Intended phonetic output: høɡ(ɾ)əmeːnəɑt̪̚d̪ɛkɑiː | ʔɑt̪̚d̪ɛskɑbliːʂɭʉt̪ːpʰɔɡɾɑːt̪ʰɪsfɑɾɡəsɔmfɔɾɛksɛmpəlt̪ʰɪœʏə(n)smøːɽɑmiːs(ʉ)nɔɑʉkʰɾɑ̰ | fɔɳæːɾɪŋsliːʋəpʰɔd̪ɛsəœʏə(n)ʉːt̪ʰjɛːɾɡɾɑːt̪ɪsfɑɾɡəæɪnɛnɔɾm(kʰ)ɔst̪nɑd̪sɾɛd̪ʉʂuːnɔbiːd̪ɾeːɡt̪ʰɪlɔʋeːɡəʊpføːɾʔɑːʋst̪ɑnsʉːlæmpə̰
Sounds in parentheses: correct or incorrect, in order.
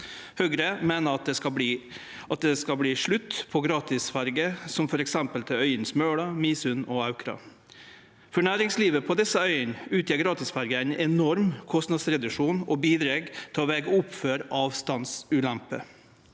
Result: correct, correct, correct, correct, correct

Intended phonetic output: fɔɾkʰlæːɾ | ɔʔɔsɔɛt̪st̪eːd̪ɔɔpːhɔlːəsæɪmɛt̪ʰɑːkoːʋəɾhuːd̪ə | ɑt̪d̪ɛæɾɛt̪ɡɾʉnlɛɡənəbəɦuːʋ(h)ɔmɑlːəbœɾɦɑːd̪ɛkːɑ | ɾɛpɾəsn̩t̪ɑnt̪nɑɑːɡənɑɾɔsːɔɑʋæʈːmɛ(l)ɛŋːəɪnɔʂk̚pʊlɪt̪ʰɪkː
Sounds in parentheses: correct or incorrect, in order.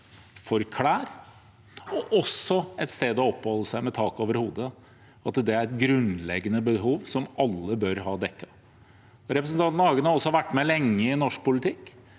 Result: incorrect, correct

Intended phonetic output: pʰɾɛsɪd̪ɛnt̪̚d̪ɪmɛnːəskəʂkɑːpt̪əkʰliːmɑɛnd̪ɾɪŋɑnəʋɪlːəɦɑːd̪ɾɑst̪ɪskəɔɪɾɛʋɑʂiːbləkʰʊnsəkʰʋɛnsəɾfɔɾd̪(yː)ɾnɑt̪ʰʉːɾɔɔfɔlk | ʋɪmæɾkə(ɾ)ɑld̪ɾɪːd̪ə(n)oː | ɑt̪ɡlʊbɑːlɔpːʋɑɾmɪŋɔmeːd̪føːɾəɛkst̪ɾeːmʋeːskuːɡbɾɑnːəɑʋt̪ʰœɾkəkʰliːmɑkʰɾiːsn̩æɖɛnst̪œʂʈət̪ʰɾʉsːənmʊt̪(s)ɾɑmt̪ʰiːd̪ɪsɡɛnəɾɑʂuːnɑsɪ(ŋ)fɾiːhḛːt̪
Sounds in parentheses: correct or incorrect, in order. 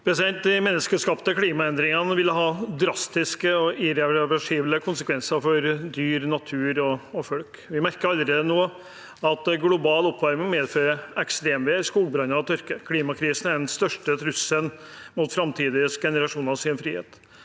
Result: correct, correct, correct, incorrect, incorrect

